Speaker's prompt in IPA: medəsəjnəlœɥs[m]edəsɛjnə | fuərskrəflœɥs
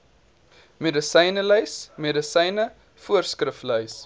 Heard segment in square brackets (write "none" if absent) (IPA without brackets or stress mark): m